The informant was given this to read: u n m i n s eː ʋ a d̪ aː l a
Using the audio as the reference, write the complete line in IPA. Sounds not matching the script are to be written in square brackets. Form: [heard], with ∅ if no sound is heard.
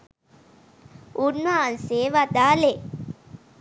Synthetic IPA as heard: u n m [a] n s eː ʋ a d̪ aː l [e]